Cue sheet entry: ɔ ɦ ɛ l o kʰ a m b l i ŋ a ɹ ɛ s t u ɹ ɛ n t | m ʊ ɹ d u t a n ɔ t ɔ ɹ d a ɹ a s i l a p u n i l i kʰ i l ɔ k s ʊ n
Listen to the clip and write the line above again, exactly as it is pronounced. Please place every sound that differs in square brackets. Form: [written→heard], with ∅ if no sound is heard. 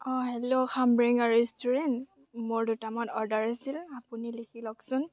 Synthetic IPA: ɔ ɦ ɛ l o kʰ a m b [l→ɹ] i ŋ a ɹ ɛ s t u ɹ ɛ n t | m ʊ ɹ d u t a [n→m] ɔ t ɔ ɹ d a ɹ a s i l a p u n i l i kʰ i l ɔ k s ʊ n